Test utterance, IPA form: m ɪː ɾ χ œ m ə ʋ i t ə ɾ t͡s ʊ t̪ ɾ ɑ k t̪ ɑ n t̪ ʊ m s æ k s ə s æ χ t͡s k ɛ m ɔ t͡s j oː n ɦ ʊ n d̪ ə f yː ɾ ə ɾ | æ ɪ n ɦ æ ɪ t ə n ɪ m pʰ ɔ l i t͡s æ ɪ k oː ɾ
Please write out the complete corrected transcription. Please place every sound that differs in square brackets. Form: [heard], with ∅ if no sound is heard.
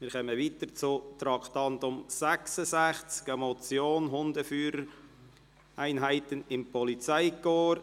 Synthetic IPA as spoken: m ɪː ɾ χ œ m ə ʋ i t ə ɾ t͡s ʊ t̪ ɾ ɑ k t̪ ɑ n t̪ ʊ m s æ k s ə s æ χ t͡s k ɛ m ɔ t͡s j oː n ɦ ʊ n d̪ ə f yː ɾ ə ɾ | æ ɪ n ɦ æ ɪ t ə n ɪ m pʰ ɔ l i t͡s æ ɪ k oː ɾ